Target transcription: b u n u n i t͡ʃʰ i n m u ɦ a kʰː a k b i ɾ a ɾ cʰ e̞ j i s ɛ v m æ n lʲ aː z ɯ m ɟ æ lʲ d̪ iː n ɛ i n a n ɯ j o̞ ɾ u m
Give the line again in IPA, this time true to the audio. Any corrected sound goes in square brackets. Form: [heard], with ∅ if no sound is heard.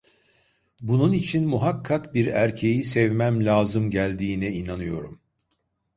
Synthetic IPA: b u n u n i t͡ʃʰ i n m u ɦ a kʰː a k b i ɾ [æ] ɾ cʰ e̞ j i s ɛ v m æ [m] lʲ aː z ɯ m ɟ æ lʲ d̪ iː n ɛ i n a n ɯ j o̞ ɾ u m